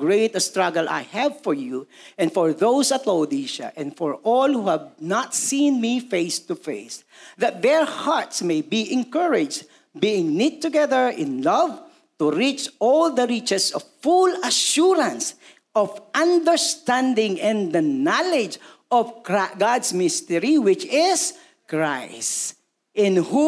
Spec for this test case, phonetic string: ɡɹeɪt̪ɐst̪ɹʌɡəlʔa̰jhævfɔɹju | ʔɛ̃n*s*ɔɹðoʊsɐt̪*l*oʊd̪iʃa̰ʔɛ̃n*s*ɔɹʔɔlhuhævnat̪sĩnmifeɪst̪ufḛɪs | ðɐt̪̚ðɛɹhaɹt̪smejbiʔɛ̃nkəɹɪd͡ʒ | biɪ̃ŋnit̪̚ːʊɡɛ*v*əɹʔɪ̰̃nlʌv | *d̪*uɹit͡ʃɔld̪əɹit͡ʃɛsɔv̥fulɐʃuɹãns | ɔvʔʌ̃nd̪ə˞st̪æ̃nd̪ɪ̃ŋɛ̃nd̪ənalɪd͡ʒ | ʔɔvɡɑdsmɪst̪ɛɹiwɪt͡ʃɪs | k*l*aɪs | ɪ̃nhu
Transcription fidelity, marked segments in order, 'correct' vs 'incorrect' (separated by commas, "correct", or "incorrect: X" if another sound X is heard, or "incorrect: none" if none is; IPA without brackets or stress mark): incorrect: f, correct, incorrect: f, incorrect: ð, incorrect: t̪, incorrect: ɹ